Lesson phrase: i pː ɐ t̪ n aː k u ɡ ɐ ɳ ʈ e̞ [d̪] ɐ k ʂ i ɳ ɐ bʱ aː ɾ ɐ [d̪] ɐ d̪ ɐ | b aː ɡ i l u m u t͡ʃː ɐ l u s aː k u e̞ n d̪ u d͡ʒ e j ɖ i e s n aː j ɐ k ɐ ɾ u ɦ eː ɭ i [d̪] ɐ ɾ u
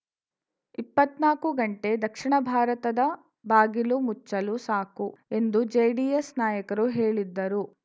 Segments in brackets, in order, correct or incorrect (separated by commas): correct, incorrect, incorrect